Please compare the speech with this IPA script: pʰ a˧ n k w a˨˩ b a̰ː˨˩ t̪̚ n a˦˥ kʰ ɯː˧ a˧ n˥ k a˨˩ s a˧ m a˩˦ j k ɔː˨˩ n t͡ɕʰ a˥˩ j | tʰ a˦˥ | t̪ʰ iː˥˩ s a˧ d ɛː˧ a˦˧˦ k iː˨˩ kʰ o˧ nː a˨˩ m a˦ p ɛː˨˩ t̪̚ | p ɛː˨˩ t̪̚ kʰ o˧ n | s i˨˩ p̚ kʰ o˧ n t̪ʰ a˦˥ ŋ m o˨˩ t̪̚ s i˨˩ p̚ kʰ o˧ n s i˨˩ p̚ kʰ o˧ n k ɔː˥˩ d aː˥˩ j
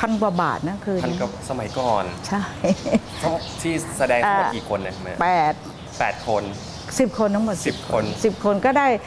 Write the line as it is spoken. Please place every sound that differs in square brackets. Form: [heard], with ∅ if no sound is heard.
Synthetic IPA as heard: pʰ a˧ n k w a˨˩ b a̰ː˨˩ t̪̚ n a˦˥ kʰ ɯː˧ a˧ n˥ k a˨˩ s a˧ m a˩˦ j k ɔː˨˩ n t͡ɕʰ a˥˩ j | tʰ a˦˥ | t̪ʰ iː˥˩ s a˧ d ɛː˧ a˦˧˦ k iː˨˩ kʰ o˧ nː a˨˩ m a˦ p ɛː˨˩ t̪̚ | p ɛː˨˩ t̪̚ kʰ o˧ n | s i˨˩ p̚ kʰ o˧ n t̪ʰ a˦˥ ŋ m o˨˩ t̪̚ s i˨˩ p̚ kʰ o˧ n s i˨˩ p̚ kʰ o˧ n k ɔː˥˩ d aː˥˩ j